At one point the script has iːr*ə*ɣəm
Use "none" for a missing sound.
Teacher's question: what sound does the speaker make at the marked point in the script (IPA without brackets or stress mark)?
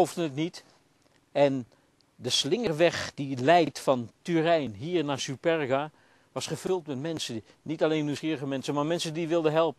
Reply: ə